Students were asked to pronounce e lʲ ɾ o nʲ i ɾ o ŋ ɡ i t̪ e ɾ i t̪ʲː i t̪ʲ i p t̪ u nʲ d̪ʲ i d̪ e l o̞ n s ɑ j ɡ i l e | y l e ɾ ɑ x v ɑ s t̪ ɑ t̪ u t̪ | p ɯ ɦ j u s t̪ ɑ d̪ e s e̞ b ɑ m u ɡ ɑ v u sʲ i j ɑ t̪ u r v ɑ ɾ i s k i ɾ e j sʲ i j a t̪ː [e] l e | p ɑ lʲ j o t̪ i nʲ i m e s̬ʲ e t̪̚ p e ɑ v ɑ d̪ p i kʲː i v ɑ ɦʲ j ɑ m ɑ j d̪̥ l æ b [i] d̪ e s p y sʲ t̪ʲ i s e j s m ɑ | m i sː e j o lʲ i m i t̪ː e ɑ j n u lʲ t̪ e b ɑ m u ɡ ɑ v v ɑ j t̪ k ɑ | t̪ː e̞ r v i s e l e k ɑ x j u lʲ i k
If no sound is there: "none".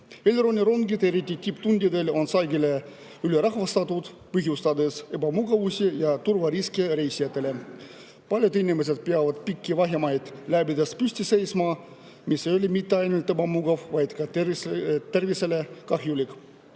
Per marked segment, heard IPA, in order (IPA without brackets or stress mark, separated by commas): e, i